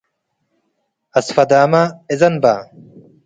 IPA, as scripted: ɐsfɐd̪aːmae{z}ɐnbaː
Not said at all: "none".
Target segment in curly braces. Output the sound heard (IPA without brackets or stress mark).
z